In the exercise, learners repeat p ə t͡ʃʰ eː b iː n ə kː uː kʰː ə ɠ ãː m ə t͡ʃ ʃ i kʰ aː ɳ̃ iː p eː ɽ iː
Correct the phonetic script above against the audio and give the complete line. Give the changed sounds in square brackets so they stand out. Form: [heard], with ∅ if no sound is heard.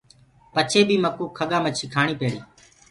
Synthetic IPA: p ə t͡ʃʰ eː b iː [m] ə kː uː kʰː ə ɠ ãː m ə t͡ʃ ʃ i kʰ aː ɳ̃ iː p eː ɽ iː